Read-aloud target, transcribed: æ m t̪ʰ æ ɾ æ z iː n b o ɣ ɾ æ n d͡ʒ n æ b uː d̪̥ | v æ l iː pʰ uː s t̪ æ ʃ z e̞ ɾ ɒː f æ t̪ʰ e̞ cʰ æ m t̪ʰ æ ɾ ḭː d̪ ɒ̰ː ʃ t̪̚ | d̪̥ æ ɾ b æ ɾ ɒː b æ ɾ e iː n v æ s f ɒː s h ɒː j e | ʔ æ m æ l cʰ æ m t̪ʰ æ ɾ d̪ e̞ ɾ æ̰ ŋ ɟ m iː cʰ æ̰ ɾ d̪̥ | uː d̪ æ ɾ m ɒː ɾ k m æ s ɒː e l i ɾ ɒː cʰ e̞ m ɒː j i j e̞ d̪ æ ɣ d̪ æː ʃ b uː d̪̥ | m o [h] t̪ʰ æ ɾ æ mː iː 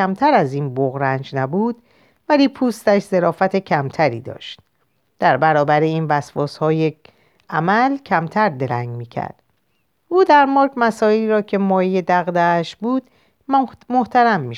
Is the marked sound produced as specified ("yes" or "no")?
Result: yes